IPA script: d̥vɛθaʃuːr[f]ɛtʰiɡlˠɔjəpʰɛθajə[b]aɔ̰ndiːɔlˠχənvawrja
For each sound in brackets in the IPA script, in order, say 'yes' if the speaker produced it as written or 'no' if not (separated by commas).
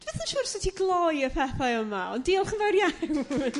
no, no